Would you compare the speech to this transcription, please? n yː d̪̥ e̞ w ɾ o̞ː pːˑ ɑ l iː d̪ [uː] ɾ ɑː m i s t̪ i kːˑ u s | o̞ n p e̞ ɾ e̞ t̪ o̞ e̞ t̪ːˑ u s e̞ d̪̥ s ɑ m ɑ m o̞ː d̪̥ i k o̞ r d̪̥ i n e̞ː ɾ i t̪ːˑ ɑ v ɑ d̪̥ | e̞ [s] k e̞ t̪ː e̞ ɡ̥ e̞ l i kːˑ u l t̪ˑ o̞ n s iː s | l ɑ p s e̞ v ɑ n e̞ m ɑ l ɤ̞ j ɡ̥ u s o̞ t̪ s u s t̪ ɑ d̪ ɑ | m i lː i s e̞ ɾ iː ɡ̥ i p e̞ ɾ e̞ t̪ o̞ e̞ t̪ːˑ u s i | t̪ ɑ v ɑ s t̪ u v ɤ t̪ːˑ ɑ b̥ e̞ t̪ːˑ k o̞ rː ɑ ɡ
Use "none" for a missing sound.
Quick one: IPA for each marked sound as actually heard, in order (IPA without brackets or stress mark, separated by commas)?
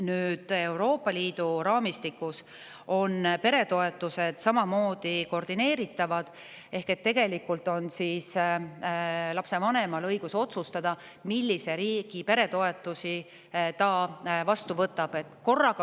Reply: u, h